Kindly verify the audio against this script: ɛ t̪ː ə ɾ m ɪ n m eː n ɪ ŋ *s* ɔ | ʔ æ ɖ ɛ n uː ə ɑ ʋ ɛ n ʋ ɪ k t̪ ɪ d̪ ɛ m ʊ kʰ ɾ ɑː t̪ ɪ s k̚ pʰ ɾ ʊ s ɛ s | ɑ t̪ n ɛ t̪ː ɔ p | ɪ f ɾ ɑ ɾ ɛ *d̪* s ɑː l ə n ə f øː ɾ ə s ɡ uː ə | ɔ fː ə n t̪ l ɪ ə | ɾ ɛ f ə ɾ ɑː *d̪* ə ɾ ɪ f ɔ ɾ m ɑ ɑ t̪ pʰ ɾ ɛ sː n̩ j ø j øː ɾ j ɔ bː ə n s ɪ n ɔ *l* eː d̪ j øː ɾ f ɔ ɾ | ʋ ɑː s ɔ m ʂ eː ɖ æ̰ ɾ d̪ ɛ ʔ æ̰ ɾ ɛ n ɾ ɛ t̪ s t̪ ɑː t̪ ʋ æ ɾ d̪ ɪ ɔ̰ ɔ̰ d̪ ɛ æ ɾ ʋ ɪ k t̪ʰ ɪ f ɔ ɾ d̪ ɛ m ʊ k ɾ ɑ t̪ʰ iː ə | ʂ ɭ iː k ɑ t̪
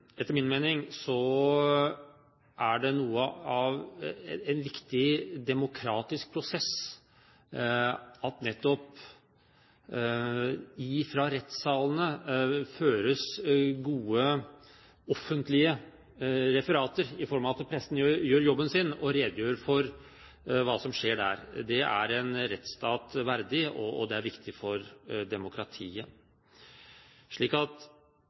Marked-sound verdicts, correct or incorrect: correct, incorrect, incorrect, incorrect

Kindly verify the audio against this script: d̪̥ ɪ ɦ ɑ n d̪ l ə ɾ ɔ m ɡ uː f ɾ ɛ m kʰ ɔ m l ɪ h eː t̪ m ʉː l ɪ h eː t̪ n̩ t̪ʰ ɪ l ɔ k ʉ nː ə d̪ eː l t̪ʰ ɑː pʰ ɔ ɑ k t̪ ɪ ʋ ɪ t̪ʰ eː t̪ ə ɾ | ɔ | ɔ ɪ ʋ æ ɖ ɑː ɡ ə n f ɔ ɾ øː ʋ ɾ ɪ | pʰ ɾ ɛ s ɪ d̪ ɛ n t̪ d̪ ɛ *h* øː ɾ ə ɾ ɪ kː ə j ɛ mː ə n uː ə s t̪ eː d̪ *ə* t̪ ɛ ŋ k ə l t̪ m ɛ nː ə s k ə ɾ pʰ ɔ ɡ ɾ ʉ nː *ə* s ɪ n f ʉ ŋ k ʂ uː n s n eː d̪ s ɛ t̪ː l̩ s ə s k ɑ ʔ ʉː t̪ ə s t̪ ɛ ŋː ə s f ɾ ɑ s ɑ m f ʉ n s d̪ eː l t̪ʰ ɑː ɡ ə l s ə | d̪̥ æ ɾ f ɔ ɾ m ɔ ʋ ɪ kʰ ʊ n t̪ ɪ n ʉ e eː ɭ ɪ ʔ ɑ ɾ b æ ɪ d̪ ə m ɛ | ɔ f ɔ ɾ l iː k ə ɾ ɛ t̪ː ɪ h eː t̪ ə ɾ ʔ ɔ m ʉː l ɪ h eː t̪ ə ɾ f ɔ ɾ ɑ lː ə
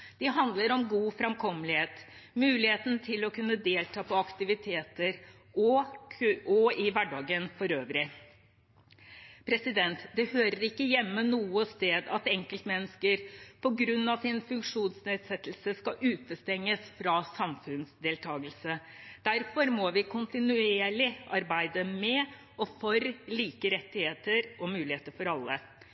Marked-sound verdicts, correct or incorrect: correct, incorrect, incorrect

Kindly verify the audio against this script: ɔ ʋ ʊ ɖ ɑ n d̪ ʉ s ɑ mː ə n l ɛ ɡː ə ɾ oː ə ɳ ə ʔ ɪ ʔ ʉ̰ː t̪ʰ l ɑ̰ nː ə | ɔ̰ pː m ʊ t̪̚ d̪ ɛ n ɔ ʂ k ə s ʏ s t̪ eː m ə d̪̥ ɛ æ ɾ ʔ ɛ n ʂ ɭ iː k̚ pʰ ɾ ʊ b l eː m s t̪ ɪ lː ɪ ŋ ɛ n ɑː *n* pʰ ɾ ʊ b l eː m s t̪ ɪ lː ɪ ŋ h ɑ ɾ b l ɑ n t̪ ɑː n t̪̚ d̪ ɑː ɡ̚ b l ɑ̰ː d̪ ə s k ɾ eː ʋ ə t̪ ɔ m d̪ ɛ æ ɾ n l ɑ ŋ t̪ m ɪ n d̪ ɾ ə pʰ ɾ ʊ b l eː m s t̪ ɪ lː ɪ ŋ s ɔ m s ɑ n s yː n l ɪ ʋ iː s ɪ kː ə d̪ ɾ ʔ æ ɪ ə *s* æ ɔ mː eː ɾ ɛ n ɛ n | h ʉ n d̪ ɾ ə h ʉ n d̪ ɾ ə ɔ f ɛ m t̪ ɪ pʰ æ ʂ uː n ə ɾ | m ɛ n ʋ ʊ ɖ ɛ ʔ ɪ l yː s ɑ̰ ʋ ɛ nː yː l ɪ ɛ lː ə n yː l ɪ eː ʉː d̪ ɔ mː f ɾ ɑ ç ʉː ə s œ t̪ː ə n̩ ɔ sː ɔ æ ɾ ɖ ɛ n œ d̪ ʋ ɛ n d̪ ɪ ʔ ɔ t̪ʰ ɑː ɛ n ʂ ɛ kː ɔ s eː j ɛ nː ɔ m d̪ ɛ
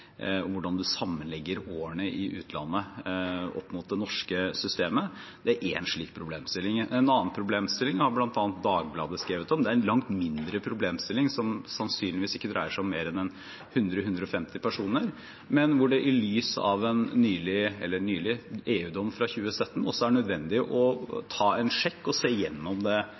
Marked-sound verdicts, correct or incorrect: correct, incorrect

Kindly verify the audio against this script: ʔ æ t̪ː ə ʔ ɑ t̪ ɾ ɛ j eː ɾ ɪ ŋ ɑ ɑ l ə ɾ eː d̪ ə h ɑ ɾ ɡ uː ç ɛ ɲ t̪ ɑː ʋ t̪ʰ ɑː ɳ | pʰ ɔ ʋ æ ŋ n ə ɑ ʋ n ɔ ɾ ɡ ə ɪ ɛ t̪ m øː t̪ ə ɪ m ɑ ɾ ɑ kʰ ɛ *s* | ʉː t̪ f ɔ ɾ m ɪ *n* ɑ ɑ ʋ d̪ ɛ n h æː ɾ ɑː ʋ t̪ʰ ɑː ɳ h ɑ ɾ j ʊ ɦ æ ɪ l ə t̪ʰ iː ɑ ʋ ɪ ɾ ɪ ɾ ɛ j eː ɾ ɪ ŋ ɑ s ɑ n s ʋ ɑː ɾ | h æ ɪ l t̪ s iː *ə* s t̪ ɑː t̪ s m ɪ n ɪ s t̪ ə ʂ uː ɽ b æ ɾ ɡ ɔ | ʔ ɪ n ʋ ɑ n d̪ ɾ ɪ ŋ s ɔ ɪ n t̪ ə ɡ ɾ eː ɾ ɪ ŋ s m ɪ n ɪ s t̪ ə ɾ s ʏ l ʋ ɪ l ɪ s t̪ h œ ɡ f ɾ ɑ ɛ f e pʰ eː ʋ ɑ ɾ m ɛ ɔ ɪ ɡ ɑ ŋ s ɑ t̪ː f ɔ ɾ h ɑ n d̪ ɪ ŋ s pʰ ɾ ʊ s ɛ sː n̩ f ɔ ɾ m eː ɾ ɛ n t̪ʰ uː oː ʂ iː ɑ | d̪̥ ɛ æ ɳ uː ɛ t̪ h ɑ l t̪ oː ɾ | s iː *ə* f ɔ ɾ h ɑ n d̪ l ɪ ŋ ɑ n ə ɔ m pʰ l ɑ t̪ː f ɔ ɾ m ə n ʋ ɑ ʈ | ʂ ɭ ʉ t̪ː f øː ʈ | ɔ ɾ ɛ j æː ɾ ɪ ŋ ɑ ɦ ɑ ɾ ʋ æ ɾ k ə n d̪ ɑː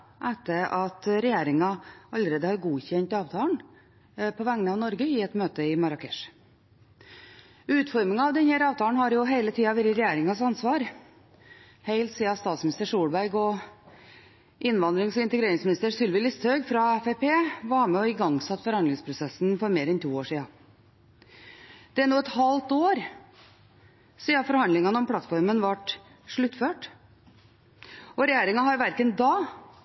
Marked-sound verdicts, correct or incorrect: incorrect, incorrect, incorrect, incorrect

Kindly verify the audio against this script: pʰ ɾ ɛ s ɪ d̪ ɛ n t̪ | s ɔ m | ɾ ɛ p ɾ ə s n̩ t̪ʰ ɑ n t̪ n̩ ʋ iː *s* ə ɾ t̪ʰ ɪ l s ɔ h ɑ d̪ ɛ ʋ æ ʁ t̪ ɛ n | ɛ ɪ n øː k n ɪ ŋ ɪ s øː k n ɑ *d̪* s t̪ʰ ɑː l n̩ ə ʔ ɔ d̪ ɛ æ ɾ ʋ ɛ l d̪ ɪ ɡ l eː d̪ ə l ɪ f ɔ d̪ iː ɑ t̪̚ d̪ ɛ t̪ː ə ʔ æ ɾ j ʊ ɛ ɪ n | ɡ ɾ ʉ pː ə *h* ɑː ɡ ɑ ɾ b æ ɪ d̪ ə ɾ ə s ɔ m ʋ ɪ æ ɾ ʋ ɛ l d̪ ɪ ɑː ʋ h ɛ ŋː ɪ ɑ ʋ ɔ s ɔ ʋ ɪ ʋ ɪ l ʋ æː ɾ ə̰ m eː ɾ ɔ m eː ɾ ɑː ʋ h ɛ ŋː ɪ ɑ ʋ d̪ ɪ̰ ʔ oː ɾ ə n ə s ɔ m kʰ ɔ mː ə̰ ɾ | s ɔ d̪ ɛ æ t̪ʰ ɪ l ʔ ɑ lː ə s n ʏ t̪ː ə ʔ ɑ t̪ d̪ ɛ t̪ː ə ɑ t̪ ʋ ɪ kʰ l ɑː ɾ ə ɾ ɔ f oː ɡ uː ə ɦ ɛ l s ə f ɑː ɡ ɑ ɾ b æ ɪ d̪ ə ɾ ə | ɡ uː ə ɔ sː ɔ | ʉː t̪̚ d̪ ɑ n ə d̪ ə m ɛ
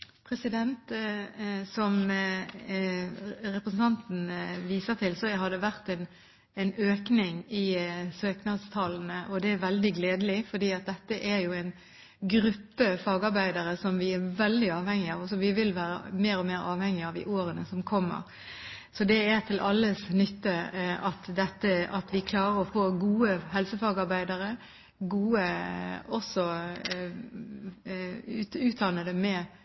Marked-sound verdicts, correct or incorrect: correct, correct, incorrect

